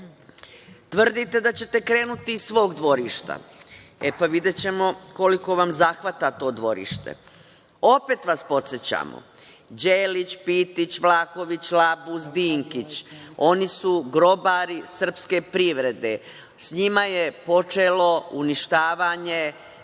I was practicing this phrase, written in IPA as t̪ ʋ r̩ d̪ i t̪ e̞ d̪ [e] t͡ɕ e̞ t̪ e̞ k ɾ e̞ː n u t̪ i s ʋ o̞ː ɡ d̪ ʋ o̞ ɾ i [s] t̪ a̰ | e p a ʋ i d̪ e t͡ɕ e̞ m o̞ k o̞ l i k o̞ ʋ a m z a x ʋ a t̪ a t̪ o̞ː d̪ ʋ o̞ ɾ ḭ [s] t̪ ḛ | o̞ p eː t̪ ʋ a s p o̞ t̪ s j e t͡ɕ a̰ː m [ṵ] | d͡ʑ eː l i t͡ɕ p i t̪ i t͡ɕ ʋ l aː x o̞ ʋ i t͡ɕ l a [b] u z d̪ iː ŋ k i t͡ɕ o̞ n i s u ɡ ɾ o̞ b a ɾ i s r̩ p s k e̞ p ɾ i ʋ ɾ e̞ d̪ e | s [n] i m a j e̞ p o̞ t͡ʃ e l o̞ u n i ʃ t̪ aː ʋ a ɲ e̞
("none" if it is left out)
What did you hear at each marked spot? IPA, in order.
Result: a, ʃ, ʃ, o̰, b, ɲ

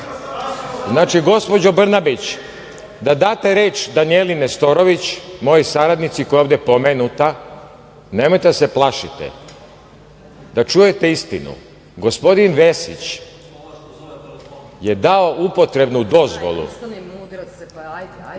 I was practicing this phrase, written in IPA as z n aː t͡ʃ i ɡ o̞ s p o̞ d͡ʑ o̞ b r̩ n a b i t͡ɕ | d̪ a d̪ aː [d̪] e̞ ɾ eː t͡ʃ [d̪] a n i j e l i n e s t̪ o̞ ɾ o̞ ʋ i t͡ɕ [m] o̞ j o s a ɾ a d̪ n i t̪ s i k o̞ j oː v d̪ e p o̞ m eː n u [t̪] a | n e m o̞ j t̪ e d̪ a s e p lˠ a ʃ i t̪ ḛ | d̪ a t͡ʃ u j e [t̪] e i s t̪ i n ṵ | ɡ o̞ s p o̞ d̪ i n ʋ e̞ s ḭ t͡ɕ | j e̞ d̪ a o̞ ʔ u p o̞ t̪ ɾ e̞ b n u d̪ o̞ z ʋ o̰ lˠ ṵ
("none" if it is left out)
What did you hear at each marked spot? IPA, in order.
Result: t̪, d̪, m, t̪, t̪

